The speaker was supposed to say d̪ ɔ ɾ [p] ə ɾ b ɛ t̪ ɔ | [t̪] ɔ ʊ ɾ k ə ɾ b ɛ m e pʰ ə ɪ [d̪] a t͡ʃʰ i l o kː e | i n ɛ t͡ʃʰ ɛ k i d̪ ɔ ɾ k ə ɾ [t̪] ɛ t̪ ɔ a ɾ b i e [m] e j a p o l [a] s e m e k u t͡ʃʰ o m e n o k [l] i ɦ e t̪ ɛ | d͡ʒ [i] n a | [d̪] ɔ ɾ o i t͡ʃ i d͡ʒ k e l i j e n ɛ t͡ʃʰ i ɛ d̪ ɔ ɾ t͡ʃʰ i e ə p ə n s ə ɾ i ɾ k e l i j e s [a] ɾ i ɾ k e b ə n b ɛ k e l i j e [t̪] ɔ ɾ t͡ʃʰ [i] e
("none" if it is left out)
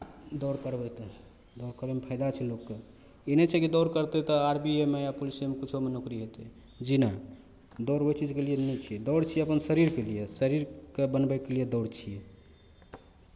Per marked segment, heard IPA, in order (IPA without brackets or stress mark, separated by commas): k, d̪, d̪, t̪, m, i, ɾ, i, d̪, ə, d̪, i